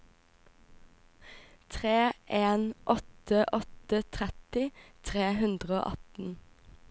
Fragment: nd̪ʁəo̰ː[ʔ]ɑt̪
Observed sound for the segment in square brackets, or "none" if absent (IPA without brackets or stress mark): ʔ